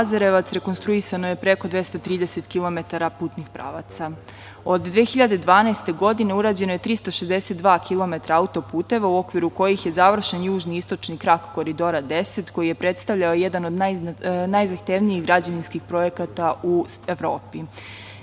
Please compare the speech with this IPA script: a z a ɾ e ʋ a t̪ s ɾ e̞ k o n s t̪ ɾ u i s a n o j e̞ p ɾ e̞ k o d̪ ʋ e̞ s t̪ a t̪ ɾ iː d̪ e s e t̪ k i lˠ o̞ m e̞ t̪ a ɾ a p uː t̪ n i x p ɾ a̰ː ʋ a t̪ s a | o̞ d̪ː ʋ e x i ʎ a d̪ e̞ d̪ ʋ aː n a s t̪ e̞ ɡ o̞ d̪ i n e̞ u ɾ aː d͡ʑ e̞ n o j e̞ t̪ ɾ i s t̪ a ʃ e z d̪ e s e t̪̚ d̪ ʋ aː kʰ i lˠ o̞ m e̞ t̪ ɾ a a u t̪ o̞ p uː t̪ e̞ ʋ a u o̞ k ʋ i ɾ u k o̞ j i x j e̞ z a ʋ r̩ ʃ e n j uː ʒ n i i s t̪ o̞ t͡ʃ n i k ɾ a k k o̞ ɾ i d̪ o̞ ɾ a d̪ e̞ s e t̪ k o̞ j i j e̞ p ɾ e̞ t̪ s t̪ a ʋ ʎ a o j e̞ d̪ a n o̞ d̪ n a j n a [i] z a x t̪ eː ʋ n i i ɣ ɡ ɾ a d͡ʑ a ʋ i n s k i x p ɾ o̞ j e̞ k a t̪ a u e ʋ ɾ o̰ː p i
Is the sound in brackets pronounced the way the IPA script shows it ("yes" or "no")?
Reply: no